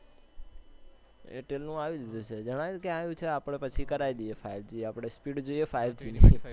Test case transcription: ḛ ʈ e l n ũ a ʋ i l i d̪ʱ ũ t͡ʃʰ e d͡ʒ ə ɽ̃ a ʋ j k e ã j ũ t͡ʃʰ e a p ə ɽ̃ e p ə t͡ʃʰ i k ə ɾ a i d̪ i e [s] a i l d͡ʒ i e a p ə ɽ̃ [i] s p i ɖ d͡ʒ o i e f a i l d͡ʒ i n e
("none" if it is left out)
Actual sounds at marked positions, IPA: f, e

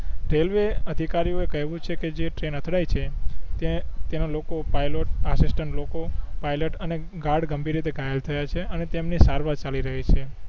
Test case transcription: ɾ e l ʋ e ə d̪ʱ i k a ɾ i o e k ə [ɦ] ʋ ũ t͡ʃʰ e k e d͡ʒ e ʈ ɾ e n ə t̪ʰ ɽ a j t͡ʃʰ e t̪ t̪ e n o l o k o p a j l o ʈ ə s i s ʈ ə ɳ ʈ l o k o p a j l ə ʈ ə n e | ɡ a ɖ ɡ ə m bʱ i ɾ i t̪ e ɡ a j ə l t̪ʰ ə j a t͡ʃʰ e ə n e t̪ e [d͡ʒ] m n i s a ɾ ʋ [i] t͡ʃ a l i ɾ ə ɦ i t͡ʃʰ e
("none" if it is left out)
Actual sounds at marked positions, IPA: ɦ, none, a

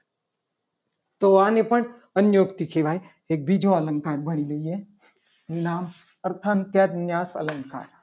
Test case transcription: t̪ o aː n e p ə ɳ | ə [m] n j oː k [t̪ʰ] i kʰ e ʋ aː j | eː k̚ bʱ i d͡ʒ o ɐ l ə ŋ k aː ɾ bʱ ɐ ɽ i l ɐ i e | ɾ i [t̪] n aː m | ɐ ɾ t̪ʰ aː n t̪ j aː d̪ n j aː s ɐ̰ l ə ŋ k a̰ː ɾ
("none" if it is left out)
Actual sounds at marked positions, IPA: none, t̪, none

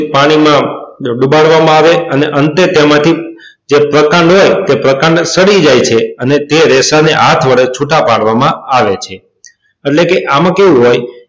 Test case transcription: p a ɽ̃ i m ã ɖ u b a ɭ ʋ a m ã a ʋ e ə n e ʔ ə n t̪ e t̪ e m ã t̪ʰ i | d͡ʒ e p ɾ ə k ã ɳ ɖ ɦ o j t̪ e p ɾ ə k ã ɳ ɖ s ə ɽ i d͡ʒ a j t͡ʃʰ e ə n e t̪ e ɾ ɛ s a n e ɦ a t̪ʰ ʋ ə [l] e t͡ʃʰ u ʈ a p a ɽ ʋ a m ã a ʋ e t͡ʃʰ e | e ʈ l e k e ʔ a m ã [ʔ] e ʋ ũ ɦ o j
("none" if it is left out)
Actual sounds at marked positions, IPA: ɭ, k

